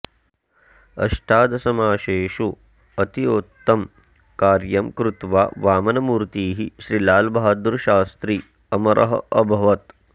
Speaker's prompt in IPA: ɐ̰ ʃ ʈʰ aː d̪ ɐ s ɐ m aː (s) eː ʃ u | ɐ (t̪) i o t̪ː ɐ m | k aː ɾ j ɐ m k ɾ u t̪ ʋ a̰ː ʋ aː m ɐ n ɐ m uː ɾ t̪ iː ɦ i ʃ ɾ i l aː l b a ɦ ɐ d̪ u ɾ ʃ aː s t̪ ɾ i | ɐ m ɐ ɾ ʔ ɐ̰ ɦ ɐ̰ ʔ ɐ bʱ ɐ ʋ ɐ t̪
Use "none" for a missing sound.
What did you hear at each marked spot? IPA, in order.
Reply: ʃ, t̪

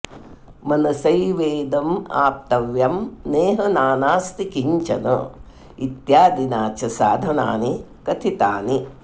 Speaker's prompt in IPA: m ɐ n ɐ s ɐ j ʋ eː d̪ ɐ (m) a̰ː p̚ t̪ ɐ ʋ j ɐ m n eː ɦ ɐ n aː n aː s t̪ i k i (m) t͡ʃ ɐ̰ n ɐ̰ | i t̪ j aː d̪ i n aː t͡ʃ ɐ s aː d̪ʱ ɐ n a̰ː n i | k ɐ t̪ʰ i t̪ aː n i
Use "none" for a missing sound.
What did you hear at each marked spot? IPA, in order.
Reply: m, ɲ

